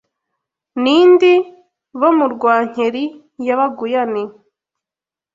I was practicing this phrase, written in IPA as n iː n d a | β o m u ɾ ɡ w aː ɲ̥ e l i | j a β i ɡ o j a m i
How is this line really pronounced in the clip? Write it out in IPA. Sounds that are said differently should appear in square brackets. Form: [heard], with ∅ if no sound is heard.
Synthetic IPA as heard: n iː n d [i] | β o m u ɾ ɡ w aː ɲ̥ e [ɾ] i | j a β [a] ɡ [u] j a [n] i